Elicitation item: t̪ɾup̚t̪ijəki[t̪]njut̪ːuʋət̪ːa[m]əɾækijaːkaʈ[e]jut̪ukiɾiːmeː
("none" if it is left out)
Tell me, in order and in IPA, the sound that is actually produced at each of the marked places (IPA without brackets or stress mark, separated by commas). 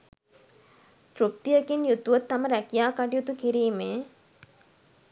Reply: none, m, i